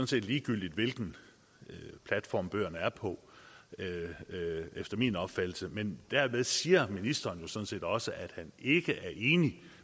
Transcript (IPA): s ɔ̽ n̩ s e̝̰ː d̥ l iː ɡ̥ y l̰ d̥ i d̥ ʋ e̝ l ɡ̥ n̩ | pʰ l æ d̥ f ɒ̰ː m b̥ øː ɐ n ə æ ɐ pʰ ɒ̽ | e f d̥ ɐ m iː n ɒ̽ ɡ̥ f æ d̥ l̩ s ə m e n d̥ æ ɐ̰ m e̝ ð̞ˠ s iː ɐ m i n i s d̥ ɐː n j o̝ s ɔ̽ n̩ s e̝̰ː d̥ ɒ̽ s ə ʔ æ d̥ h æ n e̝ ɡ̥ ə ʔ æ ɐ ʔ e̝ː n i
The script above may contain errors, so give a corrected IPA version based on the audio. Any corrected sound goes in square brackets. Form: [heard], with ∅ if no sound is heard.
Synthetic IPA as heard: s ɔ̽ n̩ s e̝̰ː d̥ l iː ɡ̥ y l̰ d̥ i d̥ ʋ e̝ l ɡ̥ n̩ | pʰ l æ d̥ f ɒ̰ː m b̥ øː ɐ n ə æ ɐ pʰ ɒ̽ | e f d̥ ɐ m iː n ɒ̽ [b̥] f æ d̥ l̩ s ə m e n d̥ æ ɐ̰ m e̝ ð̞ˠ s iː ɐ m i n i s d̥ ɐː n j o̝ s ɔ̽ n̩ s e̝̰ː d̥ ɒ̽ s ə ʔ æ d̥ h æ n e̝ ɡ̥ ə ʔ æ ɐ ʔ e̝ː n i